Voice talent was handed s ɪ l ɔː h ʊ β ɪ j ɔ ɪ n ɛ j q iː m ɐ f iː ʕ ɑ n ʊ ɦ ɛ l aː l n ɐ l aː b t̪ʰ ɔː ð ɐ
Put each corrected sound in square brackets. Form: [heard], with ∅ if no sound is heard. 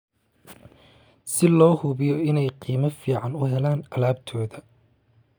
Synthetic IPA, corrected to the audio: s ɪ l ɔː h ʊ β ɪ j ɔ ɪ n ɛ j q iː m ɐ f iː ʕ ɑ n ʊ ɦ ɛ l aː [∅] n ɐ l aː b t̪ʰ ɔː ð ɐ